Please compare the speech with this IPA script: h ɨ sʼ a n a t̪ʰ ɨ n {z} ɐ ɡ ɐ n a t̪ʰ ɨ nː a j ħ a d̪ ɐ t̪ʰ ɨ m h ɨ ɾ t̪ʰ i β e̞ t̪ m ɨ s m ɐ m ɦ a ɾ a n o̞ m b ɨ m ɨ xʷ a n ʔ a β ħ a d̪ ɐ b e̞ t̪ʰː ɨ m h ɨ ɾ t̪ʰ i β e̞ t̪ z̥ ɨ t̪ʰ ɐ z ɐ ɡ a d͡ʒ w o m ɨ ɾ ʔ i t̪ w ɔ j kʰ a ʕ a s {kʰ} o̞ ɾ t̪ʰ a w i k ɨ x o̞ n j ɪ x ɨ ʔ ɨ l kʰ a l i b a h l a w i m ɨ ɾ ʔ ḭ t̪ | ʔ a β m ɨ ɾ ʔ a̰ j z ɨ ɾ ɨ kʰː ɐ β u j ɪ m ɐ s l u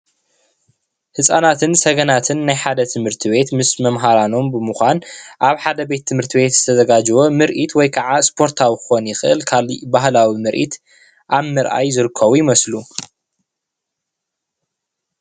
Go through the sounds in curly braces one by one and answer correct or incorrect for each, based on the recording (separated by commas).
incorrect, incorrect